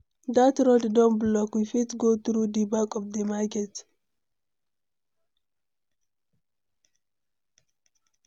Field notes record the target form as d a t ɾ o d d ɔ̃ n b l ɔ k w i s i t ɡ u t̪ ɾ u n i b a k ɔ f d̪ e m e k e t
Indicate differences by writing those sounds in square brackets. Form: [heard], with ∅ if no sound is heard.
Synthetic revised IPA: d a t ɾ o d d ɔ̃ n b l ɔ k w i [f] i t ɡ [o] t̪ ɾ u [d] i b a k ɔ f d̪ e m [a] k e t